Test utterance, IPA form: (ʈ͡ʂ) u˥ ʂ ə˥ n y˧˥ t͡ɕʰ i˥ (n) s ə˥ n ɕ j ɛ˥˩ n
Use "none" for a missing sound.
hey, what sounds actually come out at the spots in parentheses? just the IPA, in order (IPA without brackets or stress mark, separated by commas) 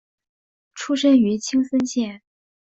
ʈ͡ʂʰ, ŋ